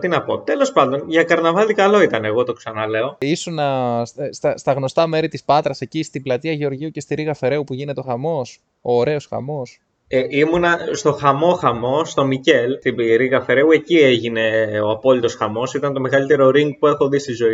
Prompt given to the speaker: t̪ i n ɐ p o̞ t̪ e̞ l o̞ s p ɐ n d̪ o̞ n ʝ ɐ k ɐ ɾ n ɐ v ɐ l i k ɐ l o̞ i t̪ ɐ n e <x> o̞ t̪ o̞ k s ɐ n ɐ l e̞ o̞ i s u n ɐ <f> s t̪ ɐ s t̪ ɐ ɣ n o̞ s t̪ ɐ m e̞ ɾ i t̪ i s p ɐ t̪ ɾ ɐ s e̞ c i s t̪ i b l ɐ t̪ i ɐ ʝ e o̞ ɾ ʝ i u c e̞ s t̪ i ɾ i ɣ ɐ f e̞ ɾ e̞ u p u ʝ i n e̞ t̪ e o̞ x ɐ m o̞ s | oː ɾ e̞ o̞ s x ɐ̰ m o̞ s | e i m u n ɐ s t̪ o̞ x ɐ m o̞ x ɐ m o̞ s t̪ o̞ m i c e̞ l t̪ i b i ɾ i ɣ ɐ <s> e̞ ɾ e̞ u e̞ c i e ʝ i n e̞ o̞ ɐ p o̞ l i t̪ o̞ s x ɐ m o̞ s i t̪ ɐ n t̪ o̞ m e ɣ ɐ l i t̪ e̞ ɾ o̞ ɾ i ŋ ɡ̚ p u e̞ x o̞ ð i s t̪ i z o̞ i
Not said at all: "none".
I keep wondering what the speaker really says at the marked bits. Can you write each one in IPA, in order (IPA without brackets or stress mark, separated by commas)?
ɣ, s, f